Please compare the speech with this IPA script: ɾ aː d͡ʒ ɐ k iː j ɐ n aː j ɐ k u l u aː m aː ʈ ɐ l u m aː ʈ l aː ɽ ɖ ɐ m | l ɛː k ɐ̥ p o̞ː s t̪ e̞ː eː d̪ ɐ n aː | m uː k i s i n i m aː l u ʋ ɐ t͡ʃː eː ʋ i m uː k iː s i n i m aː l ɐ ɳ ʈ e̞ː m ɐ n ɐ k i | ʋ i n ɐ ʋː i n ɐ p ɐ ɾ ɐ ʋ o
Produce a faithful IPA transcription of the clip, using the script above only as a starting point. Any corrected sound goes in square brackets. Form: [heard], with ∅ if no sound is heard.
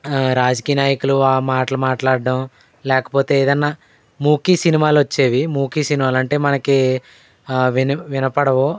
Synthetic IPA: ɾ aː d͡ʒ ɐ k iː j ɐ n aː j ɐ k u l u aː m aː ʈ ɐ l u m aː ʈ l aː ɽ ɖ ɐ m | l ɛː k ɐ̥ p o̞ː [∅] t̪ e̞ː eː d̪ ɐ [nː] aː | m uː k i s i n i m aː l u ʋ ɐ t͡ʃː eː ʋ i m uː k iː s i n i m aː l ɐ ɳ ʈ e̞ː m ɐ n ɐ k i | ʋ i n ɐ [ʋ] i n ɐ p ɐ [ɽ] ɐ ʋ o

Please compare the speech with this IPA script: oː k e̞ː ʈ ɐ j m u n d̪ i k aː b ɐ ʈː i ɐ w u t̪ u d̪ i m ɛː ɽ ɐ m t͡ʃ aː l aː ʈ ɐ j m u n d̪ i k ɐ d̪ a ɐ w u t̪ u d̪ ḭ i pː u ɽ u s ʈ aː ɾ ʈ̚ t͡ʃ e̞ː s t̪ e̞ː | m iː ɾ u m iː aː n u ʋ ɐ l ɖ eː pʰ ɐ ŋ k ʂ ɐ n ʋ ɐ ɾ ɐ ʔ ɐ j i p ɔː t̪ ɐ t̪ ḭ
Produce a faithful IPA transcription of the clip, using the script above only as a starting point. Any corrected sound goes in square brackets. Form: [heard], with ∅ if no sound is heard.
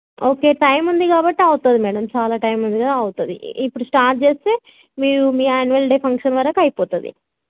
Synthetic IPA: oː k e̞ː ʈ ɐ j m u n d̪ i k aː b ɐ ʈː i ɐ w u t̪ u d̪ i m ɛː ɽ ɐ m t͡ʃ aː l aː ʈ ɐ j m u n d̪ i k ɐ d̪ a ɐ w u t̪ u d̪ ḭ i pː u ɽ u s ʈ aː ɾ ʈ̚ t͡ʃ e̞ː s t̪ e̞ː | m iː ɾ u m iː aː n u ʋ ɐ l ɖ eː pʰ ɐ ŋ k ʂ ɐ n ʋ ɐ ɾ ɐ [k] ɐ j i p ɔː t̪ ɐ [d̪] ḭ

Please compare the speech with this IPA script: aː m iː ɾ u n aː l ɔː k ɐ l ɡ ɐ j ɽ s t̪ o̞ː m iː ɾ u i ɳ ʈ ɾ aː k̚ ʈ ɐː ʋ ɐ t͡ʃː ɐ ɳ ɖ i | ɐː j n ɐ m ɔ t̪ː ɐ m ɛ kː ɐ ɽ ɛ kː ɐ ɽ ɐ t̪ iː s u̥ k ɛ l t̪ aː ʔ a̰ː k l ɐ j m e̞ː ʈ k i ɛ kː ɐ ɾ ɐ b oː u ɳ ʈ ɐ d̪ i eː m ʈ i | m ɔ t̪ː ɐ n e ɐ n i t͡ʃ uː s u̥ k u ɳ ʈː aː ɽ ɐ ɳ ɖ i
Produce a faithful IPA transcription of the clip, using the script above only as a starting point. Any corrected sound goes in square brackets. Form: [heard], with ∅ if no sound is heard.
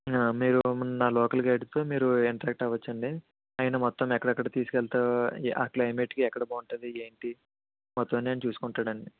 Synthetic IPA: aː m iː ɾ u n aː l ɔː k ɐ l ɡ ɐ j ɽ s t̪ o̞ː m iː ɾ u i ɳ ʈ ɾ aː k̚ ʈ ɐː ʋ ɐ t͡ʃː ɐ ɳ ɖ i | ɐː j n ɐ m ɔ t̪ː ɐ m ɛ kː ɐ ɽ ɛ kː ɐ ɽ ɐ t̪ iː s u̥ k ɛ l t̪ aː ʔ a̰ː k l ɐ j m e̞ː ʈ k i ɛ kː ɐ [ɽ] ɐ b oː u ɳ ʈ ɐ d̪ i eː [ɳ] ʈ i | m ɔ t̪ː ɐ n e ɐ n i t͡ʃ uː s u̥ k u ɳ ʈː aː ɽ ɐ ɳ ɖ i

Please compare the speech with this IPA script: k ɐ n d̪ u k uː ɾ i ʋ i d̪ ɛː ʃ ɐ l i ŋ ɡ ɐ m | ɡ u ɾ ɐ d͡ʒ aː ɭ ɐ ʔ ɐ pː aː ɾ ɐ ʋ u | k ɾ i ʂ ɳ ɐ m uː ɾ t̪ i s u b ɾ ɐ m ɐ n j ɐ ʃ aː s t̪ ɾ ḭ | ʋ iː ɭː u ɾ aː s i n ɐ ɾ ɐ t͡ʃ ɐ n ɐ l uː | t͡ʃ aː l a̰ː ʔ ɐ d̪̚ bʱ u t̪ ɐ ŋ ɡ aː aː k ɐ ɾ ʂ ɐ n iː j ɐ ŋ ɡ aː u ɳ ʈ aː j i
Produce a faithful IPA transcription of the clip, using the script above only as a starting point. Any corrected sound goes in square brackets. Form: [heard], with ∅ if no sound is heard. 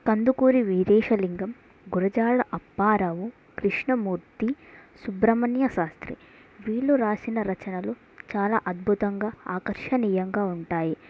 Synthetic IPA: k ɐ n d̪ u k uː ɾ i ʋ i d̪ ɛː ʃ ɐ l i ŋ ɡ ɐ m | ɡ u ɾ ɐ d͡ʒ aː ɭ ɐ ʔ ɐ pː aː ɾ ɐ ʋ u | k ɾ i ʂ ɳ ɐ m uː ɾ t̪ i s u b ɾ ɐ m ɐ n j ɐ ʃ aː s t̪ ɾ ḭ | ʋ iː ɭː u ɾ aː s i n ɐ ɾ ɐ t͡ʃ ɐ n ɐ l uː | t͡ʃ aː l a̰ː ʔ ɐ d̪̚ bʱ u t̪ ɐ ŋ ɡ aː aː k ɐ ɾ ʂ ɐ n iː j ɐ ŋ ɡ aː u ɳ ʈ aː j i

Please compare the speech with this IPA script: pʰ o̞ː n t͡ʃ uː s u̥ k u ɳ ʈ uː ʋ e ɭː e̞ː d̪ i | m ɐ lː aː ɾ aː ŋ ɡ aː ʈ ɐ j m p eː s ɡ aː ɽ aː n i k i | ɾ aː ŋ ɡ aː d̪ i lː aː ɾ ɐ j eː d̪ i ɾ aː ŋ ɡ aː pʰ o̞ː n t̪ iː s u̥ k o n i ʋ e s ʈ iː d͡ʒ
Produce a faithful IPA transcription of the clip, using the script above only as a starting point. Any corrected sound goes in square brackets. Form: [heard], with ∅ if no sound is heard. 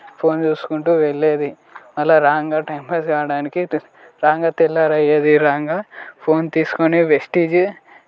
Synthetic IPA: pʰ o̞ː n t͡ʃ uː s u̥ k u ɳ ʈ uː ʋ e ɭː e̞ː d̪ i | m ɐ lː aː ɾ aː ŋ ɡ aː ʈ ɐ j m p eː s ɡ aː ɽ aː n i k i | ɾ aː ŋ ɡ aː [t̪] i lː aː ɾ ɐ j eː d̪ i ɾ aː ŋ ɡ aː pʰ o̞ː n t̪ iː s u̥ k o n i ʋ e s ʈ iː d͡ʒ

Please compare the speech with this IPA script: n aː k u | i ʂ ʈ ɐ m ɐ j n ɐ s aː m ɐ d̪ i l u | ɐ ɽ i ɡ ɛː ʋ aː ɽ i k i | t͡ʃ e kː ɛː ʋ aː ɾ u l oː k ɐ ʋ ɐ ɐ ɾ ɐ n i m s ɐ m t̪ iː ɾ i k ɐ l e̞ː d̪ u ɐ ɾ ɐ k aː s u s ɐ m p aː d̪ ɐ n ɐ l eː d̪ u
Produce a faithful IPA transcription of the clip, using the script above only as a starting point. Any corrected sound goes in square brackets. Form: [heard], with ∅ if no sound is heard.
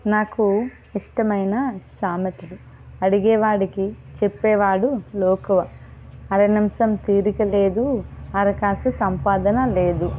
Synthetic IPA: n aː k u | i ʂ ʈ ɐ m ɐ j n ɐ s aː m ɐ [t̪] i l u | ɐ ɽ i ɡ ɛː ʋ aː ɽ i k i | t͡ʃ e [pː] ɛː ʋ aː [ɽ] u l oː k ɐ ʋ ɐ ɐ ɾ ɐ n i m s ɐ m t̪ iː ɾ i k ɐ l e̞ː d̪ u ɐ ɾ ɐ k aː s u s ɐ m p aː d̪ ɐ n ɐ l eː d̪ u

